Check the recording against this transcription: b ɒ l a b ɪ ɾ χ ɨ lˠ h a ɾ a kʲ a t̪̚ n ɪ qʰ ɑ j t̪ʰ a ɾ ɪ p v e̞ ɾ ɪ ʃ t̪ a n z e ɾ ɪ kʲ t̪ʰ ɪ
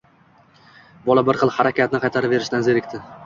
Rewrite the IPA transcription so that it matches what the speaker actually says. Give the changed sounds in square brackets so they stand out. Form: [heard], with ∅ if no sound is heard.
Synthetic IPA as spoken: b ɒ l a b ɪ ɾ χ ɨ lˠ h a ɾ a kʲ a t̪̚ n ɪ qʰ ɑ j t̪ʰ a ɾ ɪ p v e̞ ɾ ɪ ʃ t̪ a n z e ɾ ɪ kʲ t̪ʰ ɪ